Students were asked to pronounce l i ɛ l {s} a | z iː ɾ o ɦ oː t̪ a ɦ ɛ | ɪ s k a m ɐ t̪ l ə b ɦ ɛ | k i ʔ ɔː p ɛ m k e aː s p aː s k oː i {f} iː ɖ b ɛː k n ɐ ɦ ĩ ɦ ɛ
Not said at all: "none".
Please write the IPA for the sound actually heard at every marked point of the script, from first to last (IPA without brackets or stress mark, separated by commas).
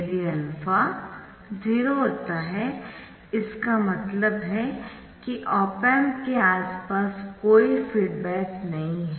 f, f